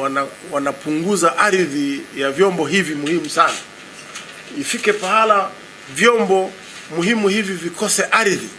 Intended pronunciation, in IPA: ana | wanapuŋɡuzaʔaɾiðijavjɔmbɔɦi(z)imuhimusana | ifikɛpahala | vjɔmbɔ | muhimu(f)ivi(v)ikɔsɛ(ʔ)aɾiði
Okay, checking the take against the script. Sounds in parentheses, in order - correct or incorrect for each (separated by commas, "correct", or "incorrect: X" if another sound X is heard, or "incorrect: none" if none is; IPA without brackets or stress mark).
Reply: incorrect: v, incorrect: h, correct, correct